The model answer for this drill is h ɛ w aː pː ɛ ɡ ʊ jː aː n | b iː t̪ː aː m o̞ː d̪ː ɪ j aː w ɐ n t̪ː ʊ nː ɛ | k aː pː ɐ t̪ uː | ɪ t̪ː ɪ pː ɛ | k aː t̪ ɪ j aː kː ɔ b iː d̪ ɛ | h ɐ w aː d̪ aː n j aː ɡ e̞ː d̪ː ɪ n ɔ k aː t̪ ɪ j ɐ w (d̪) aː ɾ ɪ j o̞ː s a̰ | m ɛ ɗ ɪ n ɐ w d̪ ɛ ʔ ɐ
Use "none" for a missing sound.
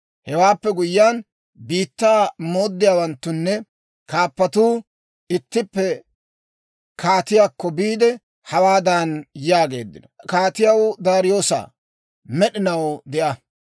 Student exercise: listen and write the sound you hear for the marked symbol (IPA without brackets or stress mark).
d̪